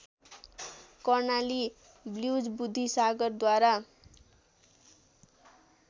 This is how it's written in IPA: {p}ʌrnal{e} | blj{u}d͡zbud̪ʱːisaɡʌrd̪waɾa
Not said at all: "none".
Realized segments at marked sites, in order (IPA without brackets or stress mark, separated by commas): k, i, u